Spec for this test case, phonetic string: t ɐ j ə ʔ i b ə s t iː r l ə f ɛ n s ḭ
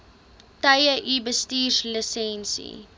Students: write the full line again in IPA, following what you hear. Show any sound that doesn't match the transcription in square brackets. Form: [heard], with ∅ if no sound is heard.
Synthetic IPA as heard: t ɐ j ə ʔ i b ə s t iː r l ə [s] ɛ n s ḭ